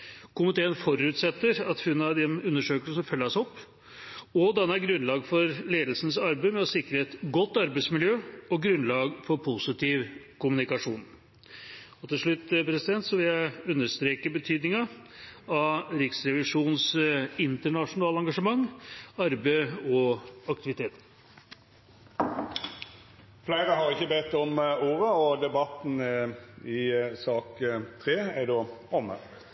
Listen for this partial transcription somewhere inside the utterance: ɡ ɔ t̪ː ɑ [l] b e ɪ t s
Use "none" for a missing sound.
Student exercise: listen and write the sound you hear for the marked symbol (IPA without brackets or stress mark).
ɾ